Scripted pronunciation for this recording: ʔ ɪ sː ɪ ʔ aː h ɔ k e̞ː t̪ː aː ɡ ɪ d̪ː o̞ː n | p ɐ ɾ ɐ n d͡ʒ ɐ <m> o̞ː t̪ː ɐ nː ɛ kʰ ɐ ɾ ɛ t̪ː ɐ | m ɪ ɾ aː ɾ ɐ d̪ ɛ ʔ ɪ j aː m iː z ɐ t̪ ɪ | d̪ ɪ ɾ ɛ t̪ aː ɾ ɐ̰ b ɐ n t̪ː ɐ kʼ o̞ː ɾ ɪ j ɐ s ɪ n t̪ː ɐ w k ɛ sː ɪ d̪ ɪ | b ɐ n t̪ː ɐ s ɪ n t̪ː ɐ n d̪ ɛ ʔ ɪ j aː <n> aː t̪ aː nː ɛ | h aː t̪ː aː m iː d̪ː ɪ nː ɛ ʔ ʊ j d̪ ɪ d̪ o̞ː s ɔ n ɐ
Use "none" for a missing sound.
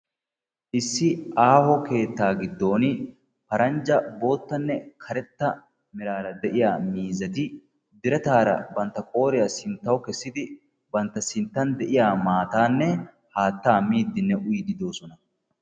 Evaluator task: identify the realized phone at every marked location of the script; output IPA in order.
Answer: b, m

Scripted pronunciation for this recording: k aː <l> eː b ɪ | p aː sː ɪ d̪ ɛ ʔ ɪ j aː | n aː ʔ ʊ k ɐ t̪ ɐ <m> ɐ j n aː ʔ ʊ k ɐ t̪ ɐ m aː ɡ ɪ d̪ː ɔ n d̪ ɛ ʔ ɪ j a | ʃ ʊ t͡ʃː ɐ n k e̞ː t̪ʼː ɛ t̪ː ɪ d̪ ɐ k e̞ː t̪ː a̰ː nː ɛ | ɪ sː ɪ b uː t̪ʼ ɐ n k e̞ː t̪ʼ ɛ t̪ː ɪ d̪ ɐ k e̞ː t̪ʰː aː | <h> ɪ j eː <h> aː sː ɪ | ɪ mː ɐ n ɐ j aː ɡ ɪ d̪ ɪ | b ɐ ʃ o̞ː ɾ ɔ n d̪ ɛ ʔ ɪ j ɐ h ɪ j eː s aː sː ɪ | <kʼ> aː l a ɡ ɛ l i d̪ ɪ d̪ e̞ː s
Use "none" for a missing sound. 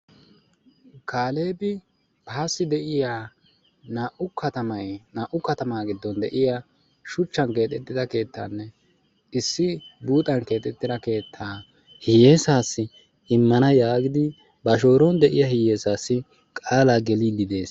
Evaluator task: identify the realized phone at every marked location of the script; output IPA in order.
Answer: l, m, h, s, kʼ

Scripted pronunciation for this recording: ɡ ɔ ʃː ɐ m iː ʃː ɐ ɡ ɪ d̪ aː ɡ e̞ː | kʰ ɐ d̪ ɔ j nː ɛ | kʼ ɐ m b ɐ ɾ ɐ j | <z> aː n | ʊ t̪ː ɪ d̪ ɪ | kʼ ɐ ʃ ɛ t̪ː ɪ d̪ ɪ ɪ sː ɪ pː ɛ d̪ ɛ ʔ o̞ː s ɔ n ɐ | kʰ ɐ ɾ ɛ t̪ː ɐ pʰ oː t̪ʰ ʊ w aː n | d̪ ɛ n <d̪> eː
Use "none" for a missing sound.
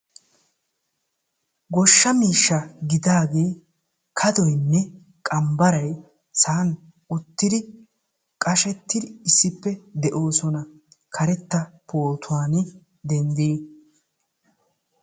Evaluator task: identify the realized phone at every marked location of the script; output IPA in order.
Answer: s, d̪

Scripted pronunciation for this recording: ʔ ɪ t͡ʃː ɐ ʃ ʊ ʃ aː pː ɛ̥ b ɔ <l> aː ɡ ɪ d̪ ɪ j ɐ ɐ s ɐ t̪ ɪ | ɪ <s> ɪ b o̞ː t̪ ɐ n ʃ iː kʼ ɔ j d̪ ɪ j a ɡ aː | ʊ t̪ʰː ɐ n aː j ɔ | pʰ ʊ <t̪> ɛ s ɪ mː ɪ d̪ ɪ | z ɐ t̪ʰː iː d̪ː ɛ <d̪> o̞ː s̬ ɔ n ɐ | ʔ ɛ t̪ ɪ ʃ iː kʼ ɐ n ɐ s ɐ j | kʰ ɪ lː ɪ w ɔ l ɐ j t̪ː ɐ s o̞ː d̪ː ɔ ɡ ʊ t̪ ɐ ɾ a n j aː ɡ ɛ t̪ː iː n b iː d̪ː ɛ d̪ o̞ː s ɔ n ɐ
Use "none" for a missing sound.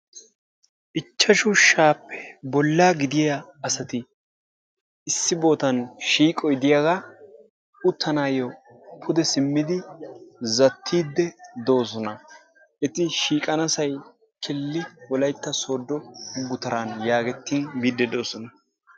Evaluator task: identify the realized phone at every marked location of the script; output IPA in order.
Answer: lː, sː, d̪, d̪

